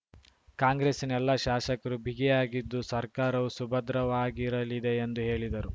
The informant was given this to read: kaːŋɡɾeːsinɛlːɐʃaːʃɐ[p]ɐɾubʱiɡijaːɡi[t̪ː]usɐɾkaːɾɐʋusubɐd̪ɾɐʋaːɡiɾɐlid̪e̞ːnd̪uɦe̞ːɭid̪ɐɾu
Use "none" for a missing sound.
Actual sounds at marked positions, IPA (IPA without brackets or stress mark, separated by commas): k, d̪ː